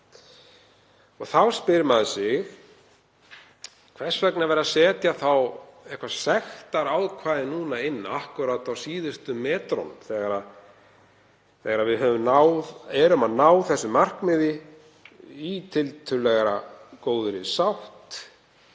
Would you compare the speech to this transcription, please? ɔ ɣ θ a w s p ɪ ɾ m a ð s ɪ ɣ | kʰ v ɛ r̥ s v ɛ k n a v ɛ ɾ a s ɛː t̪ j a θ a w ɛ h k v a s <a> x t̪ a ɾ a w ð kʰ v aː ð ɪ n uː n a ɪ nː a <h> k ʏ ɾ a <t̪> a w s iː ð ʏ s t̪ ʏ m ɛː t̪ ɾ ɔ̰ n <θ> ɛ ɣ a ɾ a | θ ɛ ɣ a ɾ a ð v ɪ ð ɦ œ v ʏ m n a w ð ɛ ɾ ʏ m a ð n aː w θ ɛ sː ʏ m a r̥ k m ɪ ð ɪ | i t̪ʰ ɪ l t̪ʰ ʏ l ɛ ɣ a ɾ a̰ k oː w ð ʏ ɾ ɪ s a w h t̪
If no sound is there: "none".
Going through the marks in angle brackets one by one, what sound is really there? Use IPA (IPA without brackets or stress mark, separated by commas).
ɛ, h, t̪, θ